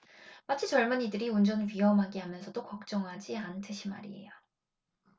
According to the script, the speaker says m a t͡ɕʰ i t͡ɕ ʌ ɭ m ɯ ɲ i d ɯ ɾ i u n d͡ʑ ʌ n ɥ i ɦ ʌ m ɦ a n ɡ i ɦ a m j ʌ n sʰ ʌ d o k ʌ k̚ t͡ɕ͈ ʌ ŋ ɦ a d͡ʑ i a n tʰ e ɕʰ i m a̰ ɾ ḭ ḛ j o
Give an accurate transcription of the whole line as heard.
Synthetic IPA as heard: m a t͡ɕʰ i t͡ɕ ʌ ɭ m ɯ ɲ i d ɯ ɾ i u n d͡ʑ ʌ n ɥ i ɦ ʌ m ɦ a ɡ i ɦ a m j ʌ n sʰ ʌ d o k ʌ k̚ t͡ɕ͈ ʌ ŋ ɦ a d͡ʑ i a n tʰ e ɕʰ i m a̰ ɾ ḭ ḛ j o